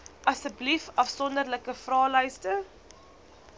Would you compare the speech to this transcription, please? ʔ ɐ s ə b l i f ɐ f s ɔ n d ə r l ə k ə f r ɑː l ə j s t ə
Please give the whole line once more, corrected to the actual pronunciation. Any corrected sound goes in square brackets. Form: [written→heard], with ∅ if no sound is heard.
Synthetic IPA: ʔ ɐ s ə b l i f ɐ f s ɔ n d ə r l ə k ə f r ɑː l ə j s t ə